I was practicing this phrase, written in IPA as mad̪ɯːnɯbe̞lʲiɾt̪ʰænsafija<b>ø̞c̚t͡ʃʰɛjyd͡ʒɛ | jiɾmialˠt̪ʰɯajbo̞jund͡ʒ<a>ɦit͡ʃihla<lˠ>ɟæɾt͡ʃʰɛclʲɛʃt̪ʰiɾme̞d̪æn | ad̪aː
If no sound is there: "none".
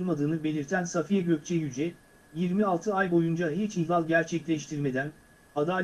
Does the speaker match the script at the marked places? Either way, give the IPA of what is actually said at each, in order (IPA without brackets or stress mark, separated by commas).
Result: ɟ, a, lˠ